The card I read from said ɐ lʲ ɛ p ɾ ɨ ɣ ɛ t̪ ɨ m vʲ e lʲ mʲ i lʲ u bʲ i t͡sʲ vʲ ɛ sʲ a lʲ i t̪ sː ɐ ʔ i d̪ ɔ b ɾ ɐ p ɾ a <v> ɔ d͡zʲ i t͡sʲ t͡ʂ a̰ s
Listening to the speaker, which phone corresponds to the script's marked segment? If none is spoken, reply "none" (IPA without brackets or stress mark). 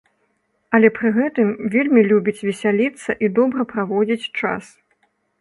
v